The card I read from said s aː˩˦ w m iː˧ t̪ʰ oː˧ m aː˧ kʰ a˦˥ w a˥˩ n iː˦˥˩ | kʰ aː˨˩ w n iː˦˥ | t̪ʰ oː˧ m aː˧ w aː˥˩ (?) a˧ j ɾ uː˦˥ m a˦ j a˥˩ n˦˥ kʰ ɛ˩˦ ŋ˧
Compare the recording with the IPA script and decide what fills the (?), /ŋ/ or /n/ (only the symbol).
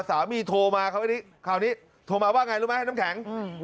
ŋ